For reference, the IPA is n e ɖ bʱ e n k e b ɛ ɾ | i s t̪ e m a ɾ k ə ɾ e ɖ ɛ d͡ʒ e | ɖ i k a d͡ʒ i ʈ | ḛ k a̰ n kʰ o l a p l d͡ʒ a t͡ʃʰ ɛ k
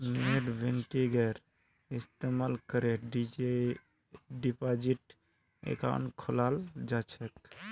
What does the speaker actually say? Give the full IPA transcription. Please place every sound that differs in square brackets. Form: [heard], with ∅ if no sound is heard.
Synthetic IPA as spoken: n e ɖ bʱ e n k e [ɡ] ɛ ɾ | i s t̪ e m a [l] k ə ɾ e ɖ [i] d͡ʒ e | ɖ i [p] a d͡ʒ i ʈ | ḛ k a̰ n kʰ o l a [∅] l d͡ʒ a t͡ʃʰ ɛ k